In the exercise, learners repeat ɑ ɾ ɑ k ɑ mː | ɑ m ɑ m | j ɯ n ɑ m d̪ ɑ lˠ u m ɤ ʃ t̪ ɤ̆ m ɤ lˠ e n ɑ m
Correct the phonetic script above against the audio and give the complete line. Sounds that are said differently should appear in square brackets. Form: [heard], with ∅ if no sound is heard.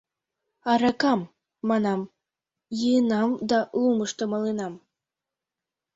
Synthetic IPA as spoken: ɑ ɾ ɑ k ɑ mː | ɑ [n] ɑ m | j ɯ n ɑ m d̪ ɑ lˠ u m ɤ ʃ t̪ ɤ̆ m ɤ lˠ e n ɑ m